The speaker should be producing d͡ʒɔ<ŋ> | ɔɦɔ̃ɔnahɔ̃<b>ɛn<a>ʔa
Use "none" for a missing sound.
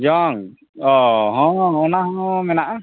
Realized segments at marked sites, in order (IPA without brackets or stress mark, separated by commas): ŋ, m, a